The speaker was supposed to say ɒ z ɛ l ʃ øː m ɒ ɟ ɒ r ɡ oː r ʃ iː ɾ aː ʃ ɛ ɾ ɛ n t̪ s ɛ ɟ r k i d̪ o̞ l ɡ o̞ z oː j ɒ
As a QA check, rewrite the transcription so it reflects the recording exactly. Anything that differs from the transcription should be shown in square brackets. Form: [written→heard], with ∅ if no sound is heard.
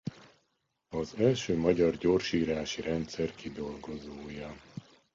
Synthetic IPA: ɒ z ɛ l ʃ øː m ɒ ɟ ɒ r [ɡ→ɟ] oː r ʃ iː ɾ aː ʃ [ɛ→i] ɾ ɛ n t̪ s ɛ [ɟ→∅] r k i d̪ o̞ l ɡ o̞ z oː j ɒ